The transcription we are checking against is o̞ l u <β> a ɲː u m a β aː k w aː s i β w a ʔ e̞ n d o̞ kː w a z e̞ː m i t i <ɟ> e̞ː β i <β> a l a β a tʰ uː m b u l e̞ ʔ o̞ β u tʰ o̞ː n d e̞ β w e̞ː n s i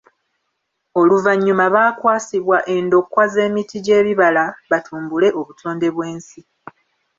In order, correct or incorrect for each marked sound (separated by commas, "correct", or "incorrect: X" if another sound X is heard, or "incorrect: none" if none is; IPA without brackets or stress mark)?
incorrect: v, correct, correct